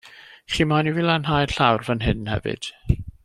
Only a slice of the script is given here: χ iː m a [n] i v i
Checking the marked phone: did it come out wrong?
no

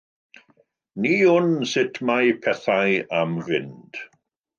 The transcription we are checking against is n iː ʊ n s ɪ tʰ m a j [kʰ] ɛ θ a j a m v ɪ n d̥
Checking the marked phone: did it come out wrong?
yes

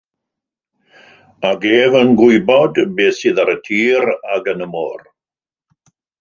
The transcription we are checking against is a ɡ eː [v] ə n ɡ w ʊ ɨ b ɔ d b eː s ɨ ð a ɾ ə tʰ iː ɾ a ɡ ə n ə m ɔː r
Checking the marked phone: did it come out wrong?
no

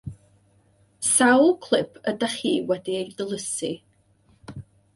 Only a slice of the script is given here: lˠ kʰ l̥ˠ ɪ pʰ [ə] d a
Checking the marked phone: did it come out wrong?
no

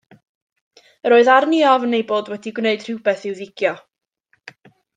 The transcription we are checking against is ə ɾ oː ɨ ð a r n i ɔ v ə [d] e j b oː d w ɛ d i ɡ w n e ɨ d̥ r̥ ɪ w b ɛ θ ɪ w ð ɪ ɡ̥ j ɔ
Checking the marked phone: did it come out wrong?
yes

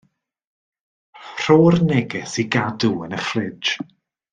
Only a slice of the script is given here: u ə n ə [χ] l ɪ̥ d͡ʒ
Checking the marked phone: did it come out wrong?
no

